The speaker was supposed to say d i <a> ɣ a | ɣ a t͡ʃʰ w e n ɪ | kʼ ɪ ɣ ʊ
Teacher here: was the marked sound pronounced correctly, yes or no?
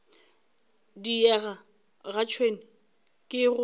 no